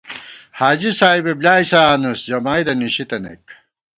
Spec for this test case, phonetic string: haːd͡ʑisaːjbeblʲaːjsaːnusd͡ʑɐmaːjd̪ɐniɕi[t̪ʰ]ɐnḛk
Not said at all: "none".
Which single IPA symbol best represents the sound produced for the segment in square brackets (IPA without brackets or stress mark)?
t̪